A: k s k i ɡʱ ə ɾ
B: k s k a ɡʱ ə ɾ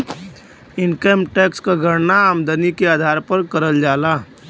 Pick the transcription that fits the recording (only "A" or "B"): B